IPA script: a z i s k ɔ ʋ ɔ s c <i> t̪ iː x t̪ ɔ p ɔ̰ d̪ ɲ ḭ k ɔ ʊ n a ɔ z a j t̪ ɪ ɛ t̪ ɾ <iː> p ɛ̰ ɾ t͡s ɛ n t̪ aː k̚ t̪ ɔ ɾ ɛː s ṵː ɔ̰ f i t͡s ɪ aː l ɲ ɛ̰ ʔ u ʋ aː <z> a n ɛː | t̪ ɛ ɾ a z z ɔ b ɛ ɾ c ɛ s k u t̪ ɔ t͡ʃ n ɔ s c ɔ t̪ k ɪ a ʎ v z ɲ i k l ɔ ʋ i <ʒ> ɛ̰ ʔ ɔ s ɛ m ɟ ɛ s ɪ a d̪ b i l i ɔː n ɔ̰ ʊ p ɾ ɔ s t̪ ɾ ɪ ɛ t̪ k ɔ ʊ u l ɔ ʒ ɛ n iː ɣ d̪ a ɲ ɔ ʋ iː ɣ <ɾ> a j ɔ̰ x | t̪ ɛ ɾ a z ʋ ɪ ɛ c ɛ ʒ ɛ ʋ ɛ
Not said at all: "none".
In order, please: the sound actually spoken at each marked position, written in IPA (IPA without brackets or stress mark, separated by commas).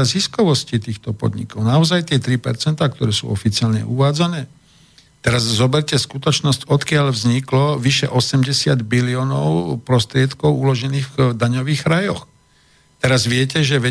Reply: i, i, d͡z, ʃ, ɾ